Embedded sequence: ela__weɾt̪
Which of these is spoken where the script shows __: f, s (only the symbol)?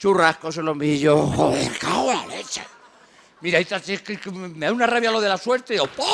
s